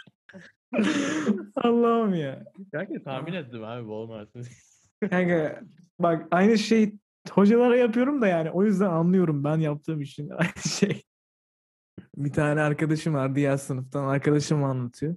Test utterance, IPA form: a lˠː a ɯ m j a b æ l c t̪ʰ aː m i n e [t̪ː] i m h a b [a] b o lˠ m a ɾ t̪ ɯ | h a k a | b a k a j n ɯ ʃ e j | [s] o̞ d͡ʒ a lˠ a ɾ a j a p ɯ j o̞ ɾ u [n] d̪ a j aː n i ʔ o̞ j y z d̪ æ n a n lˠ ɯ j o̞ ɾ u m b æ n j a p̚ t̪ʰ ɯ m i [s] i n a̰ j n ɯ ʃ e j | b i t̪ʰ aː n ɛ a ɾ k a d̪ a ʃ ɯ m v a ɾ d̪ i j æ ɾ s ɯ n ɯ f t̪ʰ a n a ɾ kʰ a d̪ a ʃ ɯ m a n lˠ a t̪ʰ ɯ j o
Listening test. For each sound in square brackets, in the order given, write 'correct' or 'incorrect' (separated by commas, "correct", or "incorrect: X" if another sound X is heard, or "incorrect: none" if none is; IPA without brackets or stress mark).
correct, incorrect: i, incorrect: h, incorrect: m, incorrect: ʃ